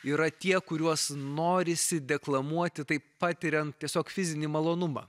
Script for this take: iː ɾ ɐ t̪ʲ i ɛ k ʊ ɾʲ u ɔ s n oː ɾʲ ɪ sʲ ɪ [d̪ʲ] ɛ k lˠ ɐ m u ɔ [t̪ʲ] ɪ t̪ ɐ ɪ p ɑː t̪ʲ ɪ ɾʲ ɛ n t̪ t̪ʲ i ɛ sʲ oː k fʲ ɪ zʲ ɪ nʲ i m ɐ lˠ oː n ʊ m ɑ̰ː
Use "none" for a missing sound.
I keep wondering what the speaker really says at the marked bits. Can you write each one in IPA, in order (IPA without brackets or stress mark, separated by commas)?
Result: d̪ʲ, t̪ʲ